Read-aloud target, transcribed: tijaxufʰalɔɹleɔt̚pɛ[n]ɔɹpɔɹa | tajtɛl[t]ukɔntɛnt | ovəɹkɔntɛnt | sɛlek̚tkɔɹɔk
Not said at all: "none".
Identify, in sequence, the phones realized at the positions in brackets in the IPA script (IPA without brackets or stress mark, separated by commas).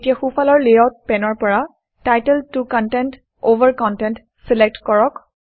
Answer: n, t